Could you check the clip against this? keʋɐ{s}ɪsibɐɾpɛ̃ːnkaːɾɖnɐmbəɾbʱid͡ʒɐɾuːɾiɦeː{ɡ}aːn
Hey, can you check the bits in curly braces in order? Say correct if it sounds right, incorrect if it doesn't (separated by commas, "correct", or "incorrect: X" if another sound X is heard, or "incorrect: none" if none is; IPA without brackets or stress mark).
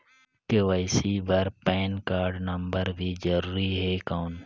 incorrect: none, incorrect: k